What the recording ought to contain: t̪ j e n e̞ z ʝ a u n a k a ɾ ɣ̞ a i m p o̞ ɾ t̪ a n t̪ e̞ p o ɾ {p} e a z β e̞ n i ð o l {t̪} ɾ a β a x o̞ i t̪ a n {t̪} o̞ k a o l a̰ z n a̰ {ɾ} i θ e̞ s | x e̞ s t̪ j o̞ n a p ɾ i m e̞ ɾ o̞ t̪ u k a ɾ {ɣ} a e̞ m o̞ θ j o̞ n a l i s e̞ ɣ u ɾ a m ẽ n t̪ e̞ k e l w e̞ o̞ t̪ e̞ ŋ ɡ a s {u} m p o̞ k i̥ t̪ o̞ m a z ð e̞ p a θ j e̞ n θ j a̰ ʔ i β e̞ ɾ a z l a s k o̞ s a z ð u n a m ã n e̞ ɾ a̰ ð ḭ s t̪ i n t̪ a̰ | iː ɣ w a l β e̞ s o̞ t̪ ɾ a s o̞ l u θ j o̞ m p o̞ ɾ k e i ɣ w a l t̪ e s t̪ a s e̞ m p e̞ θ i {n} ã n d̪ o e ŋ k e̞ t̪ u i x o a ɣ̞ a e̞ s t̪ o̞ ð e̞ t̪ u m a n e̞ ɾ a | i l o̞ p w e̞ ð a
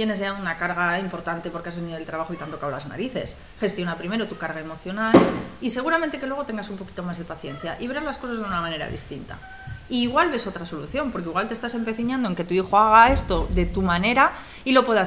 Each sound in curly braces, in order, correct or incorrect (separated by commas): incorrect, correct, correct, correct, correct, correct, incorrect